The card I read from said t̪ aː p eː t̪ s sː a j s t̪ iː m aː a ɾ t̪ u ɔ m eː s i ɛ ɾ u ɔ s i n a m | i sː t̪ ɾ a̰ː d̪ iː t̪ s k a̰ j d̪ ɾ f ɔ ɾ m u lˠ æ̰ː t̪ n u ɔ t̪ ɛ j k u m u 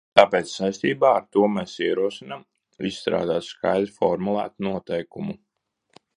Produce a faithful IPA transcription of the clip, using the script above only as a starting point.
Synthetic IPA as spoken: t̪ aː p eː t̪ s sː a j s t̪ iː b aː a ɾ t̪ u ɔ m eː s i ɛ ɾ u ɔ s i n a m | i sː t̪ ɾ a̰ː d̪ aː t̪ s k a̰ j d̪ ɾ f ɔ ɾ m u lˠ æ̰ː t̪ n u ɔ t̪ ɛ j k u m u